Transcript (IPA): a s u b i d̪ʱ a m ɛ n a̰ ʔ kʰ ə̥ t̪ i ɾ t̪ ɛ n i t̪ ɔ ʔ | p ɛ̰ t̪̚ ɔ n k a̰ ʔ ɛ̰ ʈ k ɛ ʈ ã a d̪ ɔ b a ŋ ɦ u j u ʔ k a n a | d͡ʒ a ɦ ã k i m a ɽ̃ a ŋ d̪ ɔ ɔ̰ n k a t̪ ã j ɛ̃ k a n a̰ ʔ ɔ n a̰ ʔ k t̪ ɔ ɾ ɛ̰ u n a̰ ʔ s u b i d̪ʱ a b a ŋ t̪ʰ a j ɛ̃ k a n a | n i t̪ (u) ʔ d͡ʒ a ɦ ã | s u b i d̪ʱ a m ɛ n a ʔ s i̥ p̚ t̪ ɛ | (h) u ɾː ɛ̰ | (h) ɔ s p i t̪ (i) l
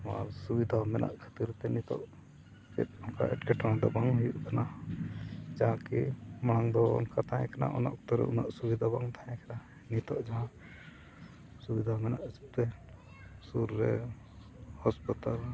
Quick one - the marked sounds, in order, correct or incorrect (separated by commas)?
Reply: incorrect, incorrect, correct, incorrect